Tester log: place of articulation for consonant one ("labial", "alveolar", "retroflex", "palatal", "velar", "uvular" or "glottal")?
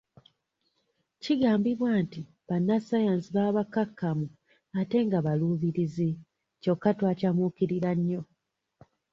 palatal